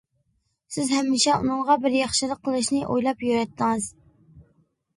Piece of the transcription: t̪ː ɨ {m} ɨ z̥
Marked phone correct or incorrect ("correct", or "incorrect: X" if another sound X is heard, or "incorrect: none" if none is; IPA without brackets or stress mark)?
incorrect: ŋ